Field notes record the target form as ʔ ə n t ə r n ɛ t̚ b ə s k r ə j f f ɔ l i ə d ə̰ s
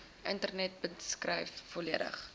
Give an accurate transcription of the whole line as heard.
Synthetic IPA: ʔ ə n t ə r n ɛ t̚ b ə s k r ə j f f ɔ l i ə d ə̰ χ